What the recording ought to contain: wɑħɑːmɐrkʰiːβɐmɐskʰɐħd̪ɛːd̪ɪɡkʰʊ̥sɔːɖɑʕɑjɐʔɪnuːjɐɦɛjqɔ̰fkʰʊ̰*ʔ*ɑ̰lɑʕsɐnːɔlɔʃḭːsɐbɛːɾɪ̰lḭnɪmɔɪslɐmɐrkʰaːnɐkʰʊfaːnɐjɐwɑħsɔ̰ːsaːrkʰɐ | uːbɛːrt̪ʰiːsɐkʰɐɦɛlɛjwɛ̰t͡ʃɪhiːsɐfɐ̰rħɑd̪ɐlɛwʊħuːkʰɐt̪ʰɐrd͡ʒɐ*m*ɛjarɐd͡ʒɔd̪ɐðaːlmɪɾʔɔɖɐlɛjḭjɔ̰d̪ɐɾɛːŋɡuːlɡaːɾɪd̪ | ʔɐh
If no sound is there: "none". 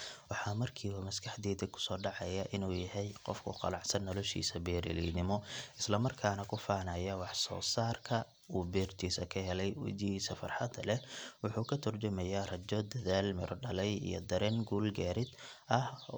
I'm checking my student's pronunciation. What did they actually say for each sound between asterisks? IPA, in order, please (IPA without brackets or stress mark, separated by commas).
q, m